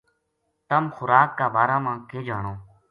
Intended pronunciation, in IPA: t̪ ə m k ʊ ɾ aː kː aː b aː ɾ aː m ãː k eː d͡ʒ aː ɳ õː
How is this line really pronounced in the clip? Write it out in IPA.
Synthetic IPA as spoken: t̪ ə m x ʊ ɾ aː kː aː b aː ɾ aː m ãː k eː d͡ʒ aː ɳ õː